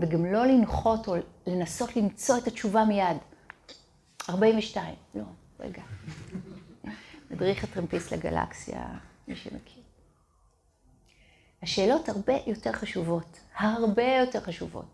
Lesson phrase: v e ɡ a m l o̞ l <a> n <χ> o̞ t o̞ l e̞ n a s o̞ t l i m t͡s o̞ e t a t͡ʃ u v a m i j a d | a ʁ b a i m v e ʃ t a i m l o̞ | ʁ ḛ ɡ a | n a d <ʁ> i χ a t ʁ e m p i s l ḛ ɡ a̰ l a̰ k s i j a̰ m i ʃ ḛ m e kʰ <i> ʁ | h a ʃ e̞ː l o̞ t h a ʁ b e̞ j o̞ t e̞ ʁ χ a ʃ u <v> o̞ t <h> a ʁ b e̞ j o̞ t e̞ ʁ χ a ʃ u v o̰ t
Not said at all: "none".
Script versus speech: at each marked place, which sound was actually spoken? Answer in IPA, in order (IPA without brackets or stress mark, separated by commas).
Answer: i, χ, ʁ, i, v, h